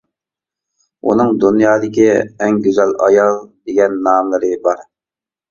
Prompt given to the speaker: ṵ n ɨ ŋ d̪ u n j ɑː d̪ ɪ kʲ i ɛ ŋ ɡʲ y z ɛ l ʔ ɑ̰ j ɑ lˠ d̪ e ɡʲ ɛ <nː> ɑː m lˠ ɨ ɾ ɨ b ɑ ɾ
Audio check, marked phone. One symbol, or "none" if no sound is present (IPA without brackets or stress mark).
nː